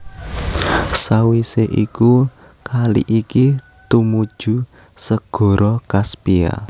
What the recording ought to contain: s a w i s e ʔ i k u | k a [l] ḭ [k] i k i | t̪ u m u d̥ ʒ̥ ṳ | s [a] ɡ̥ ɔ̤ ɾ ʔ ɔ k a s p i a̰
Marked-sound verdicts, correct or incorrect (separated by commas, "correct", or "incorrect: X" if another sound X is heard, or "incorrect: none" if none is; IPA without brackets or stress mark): correct, incorrect: ʔ, incorrect: ə